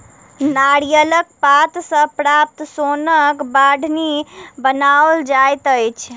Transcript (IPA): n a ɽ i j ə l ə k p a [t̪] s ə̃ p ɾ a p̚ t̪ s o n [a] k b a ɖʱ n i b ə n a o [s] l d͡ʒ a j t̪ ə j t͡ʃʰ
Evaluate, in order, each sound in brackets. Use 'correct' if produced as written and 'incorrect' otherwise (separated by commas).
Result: correct, incorrect, incorrect